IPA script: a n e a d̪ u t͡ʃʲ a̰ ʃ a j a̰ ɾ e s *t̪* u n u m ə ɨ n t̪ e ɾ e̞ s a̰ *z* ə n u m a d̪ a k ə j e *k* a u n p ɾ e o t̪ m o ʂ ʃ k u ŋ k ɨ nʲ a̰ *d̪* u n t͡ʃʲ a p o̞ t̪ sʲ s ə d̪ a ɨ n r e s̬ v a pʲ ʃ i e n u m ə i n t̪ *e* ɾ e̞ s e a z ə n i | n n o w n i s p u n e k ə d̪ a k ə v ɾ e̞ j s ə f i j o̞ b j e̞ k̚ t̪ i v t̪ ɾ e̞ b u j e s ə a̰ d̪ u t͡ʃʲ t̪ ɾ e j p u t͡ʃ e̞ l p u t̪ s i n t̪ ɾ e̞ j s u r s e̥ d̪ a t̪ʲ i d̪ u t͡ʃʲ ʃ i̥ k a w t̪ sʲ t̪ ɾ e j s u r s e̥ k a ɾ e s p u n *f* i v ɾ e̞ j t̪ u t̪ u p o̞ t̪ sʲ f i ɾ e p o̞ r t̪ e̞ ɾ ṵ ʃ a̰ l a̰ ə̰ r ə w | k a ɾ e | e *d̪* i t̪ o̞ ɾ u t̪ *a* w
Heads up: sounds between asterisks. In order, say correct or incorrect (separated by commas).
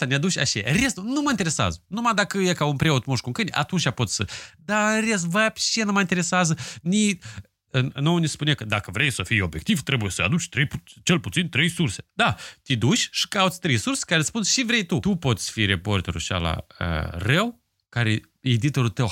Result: correct, correct, correct, incorrect, correct, incorrect, correct, incorrect